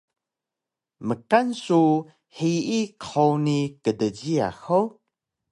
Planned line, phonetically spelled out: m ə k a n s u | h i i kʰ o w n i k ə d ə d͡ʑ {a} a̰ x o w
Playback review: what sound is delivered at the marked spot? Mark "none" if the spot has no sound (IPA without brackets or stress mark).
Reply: i